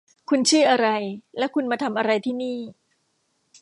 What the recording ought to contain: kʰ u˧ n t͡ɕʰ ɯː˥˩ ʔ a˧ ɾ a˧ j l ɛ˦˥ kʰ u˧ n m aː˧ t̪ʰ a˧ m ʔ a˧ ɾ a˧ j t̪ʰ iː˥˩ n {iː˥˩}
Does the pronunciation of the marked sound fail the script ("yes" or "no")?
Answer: no